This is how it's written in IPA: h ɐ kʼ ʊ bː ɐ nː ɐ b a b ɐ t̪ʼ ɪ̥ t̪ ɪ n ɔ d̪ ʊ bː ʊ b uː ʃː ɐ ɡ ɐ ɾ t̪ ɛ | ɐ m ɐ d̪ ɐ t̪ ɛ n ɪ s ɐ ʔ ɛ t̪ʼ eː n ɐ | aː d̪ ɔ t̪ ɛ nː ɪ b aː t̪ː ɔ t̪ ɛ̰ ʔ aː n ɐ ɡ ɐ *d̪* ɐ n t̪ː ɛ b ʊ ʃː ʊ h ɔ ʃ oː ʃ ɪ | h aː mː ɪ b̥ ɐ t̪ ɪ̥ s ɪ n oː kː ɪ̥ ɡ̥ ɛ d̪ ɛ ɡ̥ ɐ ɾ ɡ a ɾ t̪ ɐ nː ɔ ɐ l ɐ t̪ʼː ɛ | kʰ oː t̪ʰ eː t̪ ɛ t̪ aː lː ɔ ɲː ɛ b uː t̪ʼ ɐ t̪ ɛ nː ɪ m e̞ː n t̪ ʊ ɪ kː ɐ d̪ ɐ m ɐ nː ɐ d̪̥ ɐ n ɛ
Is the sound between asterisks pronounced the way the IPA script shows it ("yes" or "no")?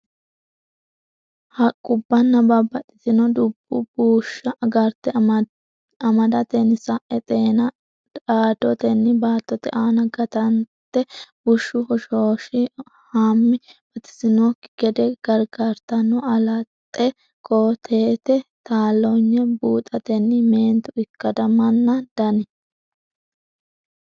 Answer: no